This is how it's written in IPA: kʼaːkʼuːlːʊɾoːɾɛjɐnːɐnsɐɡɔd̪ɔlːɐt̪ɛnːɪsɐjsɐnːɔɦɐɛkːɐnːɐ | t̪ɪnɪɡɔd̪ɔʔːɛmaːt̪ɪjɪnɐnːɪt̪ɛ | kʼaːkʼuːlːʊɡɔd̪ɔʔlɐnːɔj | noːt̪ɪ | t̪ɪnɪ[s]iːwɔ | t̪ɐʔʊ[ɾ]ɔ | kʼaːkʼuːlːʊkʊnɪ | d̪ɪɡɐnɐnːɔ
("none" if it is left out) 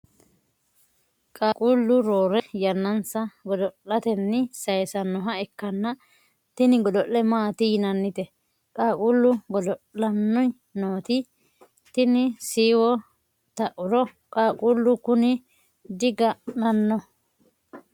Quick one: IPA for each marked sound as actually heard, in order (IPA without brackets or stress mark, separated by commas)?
s, ɾ